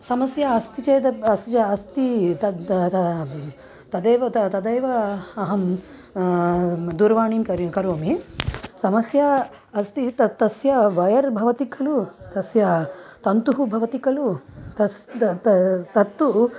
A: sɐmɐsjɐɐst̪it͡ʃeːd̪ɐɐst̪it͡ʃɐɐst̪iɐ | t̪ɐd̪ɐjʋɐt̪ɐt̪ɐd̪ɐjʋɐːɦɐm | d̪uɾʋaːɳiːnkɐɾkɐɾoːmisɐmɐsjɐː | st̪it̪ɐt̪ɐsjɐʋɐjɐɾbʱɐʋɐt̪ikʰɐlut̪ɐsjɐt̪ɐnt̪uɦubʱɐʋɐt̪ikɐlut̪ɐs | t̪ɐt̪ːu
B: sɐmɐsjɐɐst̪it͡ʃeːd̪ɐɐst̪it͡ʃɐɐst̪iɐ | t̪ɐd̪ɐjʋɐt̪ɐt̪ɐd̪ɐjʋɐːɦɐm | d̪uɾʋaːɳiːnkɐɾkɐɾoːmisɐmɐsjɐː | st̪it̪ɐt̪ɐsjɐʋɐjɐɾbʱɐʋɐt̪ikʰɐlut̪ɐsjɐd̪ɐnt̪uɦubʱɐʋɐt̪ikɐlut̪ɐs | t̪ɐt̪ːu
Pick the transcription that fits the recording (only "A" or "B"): A